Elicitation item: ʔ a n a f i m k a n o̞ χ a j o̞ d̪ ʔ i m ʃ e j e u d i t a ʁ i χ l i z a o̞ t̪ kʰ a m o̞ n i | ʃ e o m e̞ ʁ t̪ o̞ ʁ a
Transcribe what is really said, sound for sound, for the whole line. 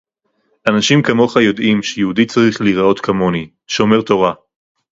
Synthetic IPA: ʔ a n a ʃ i m k a m o̞ χ a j o̞ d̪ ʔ i m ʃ e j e u d i t͡s a ʁ i χ l i ʁ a o̞ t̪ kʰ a m o̞ n i | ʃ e o m e̞ ʁ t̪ o̞ ʁ a